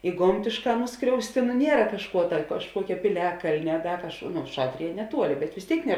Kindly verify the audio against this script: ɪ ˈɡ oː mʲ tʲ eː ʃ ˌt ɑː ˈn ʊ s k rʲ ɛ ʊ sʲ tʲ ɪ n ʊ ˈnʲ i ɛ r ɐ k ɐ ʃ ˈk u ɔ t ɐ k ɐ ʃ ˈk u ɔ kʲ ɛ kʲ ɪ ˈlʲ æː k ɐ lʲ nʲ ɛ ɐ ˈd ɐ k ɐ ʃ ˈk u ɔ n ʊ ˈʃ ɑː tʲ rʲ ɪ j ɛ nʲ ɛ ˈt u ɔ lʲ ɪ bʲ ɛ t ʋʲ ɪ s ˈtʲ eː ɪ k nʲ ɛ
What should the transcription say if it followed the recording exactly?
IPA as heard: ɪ ˈɡ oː mʲ tʲ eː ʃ ˌk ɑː ˈn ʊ s k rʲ ɛ ʊ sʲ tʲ ɪ n ʊ ˈnʲ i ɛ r ɐ k ɐ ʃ ˈk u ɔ t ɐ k ɐ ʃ ˈk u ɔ kʲ ɛ pʲ ɪ ˈlʲ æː k ɐ lʲ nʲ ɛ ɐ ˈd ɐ k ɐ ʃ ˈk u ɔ n ʊ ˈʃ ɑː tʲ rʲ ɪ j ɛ nʲ ɛ ˈt u ɔ lʲ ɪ bʲ ɛ t ʋʲ ɪ s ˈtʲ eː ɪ k nʲ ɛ